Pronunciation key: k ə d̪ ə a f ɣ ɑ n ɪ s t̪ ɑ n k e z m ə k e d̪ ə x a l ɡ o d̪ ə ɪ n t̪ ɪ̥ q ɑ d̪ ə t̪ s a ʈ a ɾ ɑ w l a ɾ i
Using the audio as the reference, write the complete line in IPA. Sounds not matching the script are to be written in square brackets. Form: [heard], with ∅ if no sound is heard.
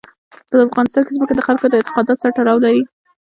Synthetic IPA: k ə d̪ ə a f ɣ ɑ n ɪ s t̪ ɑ n k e z m ə k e d̪ ə x a l [k] o d̪ ə ɪ n t̪ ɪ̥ q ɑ d̪ [ɑ] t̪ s a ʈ a ɾ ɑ w l a ɾ i